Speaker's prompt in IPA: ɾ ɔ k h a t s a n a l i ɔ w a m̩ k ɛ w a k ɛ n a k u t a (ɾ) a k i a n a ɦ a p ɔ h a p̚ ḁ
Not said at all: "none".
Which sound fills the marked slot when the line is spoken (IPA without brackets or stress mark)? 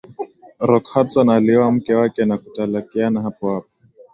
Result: l